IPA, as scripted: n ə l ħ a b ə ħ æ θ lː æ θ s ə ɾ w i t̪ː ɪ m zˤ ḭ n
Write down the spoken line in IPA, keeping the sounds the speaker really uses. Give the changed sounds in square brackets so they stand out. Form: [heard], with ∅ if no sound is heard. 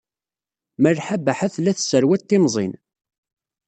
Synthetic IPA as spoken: [m] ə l ħ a b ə ħ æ θ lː æ θ s ə ɾ w [æ] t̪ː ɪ m zˤ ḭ n